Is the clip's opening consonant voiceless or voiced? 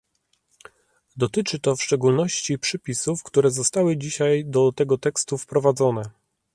voiced